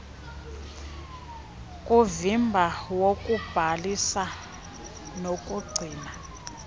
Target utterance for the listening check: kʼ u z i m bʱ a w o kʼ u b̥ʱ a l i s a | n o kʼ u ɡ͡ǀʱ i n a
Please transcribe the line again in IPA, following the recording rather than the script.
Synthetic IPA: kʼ u v i m bʱ a w o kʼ u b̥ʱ a l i s a | n o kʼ u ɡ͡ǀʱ iː n a